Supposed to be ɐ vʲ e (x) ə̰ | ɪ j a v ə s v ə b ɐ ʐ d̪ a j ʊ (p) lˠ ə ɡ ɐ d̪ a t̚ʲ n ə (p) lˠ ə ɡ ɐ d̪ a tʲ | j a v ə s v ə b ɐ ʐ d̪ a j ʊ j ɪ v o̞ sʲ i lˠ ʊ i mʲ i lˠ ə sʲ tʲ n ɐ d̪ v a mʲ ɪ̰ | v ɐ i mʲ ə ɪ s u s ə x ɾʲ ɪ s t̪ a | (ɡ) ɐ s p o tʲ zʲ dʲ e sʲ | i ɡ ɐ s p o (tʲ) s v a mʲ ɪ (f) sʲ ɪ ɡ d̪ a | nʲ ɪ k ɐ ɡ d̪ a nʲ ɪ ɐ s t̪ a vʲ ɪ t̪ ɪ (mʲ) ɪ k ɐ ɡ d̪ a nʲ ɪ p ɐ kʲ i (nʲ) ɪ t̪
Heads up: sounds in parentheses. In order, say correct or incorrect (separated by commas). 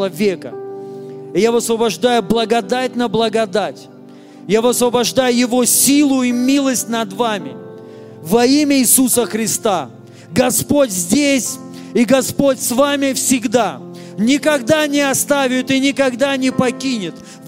incorrect, incorrect, incorrect, correct, correct, correct, incorrect, correct